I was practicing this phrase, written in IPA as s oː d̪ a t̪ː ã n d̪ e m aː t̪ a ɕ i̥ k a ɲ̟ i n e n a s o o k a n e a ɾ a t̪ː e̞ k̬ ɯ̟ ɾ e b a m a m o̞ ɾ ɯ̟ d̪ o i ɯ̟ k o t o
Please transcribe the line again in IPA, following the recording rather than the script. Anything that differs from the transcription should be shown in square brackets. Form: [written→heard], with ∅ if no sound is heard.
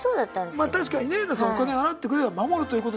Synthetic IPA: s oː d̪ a t̪ː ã n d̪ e m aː t̪ a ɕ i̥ k a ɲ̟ i n e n a s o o k a n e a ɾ a t̪ː e̞ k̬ ɯ̟ ɾ e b a m a m o̞ ɾ ɯ̟ [d̪→t̪] o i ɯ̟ k o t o